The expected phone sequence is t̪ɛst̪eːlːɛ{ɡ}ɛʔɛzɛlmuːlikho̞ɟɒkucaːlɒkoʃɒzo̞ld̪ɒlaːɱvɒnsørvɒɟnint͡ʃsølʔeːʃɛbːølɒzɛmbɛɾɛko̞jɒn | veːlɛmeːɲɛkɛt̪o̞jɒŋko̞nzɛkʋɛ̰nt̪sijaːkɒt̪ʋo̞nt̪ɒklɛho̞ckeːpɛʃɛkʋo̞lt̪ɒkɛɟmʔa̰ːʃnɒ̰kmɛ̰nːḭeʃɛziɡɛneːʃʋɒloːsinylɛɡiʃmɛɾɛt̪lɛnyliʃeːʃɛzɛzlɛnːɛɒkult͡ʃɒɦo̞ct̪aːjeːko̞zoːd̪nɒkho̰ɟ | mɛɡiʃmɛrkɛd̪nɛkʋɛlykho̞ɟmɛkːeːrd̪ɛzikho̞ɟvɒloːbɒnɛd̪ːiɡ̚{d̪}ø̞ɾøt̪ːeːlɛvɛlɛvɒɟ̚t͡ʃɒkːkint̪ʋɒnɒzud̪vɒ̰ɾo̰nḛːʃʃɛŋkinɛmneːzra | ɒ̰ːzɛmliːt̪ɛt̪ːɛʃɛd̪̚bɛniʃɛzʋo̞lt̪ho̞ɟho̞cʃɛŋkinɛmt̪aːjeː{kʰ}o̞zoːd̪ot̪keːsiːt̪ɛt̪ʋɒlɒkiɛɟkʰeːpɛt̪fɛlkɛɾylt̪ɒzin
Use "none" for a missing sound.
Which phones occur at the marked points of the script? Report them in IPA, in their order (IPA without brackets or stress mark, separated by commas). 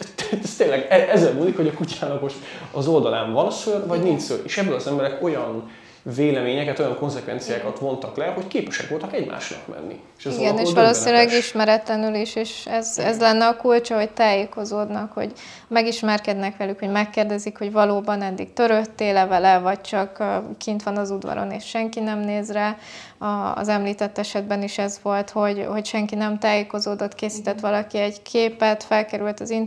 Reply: ɡ, t̪, k